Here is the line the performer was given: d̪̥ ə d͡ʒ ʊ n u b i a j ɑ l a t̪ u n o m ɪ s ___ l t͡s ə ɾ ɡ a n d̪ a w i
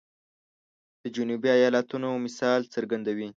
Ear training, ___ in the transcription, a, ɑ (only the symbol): ɑ